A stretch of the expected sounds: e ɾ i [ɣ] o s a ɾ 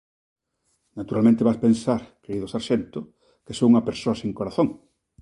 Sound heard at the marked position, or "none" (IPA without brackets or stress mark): ð